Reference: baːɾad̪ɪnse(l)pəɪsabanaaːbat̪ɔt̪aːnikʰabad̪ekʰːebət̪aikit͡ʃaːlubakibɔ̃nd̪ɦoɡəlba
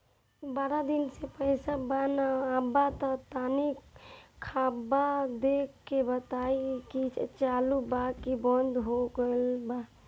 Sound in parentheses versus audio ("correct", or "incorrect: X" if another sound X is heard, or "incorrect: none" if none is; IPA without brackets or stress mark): incorrect: none